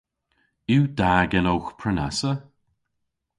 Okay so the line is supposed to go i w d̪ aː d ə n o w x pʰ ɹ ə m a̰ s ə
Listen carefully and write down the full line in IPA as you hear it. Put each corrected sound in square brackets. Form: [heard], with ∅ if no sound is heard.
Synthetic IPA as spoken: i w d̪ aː [ɡ] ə n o w x pʰ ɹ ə [n] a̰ s ə